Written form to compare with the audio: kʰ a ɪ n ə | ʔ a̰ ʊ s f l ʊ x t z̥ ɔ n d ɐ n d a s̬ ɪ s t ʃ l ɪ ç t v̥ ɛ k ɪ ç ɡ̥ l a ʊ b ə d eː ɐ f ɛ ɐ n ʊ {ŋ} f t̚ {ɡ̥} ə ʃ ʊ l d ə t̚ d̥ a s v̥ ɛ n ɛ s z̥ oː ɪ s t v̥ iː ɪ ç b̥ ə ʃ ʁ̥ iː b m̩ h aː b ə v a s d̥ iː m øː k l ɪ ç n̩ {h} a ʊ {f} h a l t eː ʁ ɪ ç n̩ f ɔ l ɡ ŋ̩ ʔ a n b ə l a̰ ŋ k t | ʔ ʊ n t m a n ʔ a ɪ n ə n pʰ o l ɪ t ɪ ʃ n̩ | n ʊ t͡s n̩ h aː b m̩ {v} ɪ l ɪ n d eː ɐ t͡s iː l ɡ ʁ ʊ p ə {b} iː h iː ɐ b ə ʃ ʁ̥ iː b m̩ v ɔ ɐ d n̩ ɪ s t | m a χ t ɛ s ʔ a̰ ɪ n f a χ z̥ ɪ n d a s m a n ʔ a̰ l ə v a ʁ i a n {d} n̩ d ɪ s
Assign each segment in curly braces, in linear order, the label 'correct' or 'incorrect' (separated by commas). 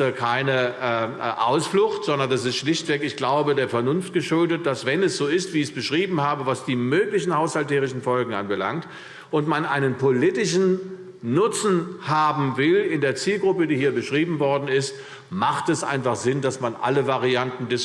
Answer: incorrect, correct, correct, incorrect, correct, incorrect, incorrect